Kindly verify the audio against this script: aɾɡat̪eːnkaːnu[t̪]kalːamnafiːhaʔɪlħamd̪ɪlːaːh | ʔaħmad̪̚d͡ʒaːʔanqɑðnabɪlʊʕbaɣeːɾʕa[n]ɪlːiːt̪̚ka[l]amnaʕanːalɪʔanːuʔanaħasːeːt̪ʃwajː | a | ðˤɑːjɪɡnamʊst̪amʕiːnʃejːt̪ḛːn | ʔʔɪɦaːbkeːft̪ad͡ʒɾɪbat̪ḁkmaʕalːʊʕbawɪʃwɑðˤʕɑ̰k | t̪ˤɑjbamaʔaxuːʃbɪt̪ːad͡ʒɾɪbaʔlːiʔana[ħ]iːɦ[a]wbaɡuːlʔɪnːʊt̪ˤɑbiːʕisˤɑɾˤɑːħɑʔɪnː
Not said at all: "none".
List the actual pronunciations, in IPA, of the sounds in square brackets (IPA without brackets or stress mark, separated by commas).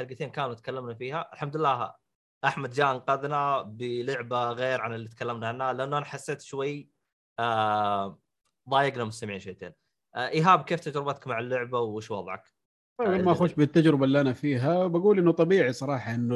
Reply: t̪, n, lː, f, a